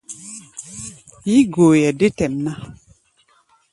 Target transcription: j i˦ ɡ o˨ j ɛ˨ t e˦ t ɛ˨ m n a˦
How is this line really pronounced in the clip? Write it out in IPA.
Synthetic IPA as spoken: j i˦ ɡ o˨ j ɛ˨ d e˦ t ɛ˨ m n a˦